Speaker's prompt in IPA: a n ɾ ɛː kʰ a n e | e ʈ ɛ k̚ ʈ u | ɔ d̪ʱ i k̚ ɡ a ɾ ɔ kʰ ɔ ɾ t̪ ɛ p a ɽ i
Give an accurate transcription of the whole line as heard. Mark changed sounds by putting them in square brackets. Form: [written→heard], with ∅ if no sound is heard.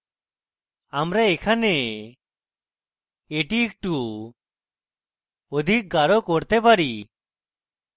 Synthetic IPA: a [n→m] ɾ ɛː kʰ a n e | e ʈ [ɛ→i] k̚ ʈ u | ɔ d̪ʱ i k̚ ɡ a ɾ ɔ [kʰ→k] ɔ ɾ t̪ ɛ p a [ɽ→ɾ] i

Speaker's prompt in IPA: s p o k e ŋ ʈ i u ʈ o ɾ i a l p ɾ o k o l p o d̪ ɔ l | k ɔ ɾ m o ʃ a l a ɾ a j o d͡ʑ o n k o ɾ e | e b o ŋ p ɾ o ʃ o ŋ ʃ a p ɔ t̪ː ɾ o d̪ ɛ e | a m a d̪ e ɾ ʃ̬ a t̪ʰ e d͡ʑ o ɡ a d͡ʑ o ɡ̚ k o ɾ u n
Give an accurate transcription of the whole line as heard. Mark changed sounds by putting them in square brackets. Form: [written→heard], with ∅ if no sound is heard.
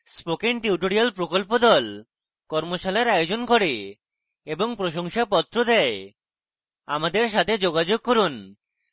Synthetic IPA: s p o k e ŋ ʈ i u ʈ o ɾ i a l p ɾ o k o l p o d̪ ɔ l | k ɔ ɾ m o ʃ a l a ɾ a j o d͡ʑ o n k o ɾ e | e b o ŋ p ɾ o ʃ o ŋ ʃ a p ɔ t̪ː ɾ o d̪ ɛ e | a m a d̪ e ɾ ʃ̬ a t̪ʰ e d͡ʑ o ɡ a d͡ʑ o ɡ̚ k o ɾ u n

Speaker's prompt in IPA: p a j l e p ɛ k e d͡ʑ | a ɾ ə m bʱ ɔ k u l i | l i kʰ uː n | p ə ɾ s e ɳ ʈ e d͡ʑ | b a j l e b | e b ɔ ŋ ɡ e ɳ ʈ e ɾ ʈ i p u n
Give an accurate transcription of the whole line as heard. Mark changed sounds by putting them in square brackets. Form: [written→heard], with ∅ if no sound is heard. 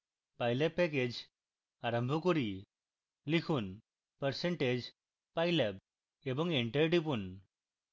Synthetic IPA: p a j l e p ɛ k e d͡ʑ | a ɾ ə m bʱ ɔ k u [l→ɾ] i | l i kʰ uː n | p ə ɾ s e ɳ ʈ e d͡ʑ | [b→p] a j l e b | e b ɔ ŋ ɡ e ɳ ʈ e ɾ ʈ i p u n

